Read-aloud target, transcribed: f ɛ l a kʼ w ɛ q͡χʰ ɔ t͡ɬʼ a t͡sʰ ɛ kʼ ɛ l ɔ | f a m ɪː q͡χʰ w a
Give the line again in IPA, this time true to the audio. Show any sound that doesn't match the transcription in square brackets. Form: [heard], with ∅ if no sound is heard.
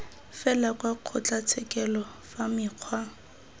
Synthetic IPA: f ɛ l a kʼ w [a] q͡χʰ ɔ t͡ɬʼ a t͡sʰ ɛ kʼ ɛ l ɔ | f a m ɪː q͡χʰ w a